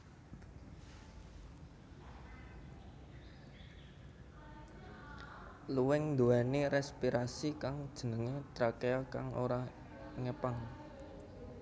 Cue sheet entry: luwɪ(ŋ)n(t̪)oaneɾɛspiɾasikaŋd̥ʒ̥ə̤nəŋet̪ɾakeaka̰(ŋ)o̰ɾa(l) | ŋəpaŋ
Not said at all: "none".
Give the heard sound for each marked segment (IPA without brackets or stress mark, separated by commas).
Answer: ŋ, d̪, ŋ, none